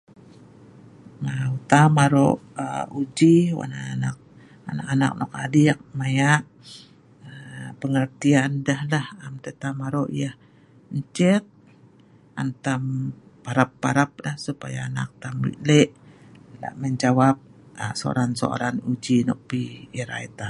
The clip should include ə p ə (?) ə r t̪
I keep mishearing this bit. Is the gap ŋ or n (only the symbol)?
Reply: ŋ